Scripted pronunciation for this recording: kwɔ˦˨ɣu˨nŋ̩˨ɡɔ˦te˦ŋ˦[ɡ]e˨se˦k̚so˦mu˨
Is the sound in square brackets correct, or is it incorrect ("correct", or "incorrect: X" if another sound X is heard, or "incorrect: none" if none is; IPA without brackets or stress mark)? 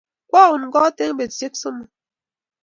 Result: incorrect: b